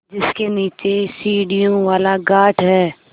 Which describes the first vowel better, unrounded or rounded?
unrounded